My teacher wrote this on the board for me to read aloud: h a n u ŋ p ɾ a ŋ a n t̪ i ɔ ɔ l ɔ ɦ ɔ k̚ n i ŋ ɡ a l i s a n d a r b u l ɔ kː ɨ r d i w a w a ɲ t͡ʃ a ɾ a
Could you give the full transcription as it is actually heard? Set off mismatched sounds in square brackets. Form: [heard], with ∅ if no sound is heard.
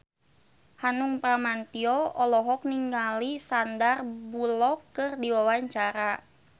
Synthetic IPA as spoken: h a n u ŋ p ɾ a [m] a n t̪ i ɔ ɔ l ɔ ɦ ɔ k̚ n i ŋ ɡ a l i s a n d a r b u l ɔ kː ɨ r d i w a w a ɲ t͡ʃ a ɾ a